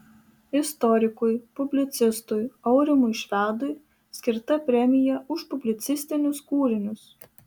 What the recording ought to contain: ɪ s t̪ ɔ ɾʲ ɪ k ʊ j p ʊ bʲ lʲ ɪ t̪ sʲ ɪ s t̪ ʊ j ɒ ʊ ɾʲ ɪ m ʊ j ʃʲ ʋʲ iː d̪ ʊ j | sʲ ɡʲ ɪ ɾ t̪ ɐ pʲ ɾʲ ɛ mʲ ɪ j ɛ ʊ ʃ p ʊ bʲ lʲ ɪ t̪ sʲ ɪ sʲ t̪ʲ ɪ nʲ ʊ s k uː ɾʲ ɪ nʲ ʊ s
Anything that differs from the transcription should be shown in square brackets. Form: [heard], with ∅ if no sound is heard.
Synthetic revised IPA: ɪ s t̪ ɔ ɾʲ ɪ k ʊ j p ʊ bʲ lʲ ɪ t̪ sʲ ɪ s t̪ ʊ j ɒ ʊ ɾʲ ɪ m ʊ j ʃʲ ʋʲ [æː] d̪ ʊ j | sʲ [kʲ] ɪ ɾ t̪ ɐ pʲ ɾʲ ɛ mʲ ɪ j ɛ ʊ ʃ p ʊ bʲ lʲ ɪ t̪ sʲ ɪ sʲ t̪ʲ ɪ nʲ ʊ s k uː ɾʲ ɪ nʲ ʊ s

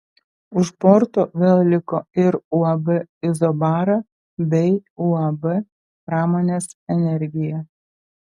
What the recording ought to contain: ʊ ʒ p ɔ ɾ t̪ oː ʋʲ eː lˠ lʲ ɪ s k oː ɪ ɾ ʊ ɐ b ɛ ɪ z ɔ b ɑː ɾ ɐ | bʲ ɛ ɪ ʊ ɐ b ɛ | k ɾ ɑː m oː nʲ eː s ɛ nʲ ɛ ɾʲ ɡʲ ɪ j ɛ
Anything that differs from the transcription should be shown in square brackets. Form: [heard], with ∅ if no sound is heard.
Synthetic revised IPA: ʊ [ʃ] p ɔ ɾ t̪ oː ʋʲ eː lˠ lʲ ɪ [∅] k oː ɪ ɾ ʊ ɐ b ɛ ɪ z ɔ b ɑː ɾ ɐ | bʲ ɛ ɪ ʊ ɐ b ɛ | [p] ɾ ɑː m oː nʲ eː s ɛ nʲ ɛ ɾʲ ɡʲ ɪ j ɛ

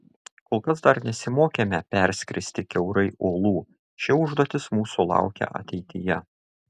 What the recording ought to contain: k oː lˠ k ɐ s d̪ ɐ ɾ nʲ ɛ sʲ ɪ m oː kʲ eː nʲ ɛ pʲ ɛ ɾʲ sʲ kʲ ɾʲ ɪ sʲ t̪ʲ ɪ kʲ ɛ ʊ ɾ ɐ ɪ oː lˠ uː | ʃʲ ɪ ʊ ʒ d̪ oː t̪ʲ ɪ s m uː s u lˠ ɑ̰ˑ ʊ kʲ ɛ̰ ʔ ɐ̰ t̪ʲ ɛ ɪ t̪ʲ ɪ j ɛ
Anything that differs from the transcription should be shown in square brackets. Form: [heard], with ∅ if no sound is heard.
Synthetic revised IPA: k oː lˠ k ɐ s d̪ ɐ ɾ nʲ ɛ sʲ ɪ m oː kʲ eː [mʲ] ɛ pʲ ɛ ɾʲ sʲ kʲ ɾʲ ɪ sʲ t̪ʲ ɪ kʲ ɛ ʊ ɾ ɐ ɪ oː lˠ uː | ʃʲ ɪ ʊ ʒ d̪ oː t̪ʲ ɪ s m uː s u lˠ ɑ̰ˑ ʊ kʲ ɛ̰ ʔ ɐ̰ t̪ʲ ɛ ɪ t̪ʲ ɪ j ɛ

